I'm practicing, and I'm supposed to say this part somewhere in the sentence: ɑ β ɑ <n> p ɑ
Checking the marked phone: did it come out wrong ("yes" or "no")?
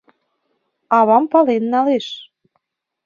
yes